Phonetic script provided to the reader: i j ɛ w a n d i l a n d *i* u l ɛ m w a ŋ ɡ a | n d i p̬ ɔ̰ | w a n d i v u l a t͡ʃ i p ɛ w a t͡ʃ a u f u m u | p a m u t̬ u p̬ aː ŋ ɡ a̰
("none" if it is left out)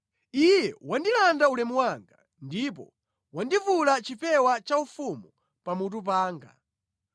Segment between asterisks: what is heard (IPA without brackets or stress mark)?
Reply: a